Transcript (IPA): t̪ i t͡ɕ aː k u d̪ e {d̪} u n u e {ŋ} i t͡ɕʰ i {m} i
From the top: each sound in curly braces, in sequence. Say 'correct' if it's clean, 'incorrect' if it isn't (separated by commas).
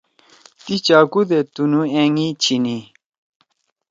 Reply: incorrect, correct, incorrect